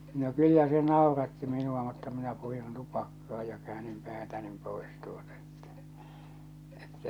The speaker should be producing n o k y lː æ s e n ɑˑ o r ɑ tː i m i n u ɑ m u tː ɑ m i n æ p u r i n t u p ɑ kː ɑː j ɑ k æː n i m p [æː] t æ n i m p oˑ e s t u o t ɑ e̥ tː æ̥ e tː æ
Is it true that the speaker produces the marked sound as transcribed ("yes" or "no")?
yes